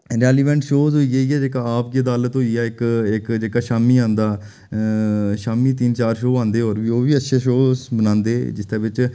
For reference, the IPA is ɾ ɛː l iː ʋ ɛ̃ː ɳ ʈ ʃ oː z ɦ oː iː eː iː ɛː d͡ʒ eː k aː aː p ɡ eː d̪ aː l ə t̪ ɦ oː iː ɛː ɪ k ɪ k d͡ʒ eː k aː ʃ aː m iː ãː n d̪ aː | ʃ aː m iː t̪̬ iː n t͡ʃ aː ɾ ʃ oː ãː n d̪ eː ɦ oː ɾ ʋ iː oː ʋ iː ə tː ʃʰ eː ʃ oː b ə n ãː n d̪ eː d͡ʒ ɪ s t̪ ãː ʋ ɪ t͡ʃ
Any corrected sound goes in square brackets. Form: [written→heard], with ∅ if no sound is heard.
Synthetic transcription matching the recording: ɾ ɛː l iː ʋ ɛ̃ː ɳ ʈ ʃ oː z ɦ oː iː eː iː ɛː d͡ʒ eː k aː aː p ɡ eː d̪ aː l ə t̪ ɦ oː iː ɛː ɪ k ɪ k d͡ʒ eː k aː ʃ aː m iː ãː n d̪ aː | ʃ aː m iː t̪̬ iː n t͡ʃ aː ɾ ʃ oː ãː n d̪ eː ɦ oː ɾ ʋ iː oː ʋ iː ə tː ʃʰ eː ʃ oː b ə n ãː n d̪ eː d͡ʒ ɪ s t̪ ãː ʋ ɪ t͡ʃ